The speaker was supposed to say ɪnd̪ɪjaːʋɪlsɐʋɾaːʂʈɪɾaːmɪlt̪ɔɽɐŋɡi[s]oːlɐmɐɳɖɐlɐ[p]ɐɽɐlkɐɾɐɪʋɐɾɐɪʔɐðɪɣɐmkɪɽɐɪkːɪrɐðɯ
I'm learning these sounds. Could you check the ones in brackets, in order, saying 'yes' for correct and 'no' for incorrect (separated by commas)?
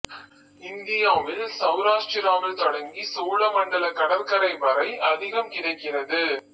yes, no